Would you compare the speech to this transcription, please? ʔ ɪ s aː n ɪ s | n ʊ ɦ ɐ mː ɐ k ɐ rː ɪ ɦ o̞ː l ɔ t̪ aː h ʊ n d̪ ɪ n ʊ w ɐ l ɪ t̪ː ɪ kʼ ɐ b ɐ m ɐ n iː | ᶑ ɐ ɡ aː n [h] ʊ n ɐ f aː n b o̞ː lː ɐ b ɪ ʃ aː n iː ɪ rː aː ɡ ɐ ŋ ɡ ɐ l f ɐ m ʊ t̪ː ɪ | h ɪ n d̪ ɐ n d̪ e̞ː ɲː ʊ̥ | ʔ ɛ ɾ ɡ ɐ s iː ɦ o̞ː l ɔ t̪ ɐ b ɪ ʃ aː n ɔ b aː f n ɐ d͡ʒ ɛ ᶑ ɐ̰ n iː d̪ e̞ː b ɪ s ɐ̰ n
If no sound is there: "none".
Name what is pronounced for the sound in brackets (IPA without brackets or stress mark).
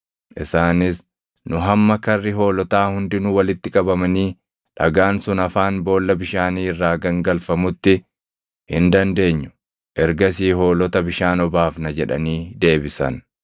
s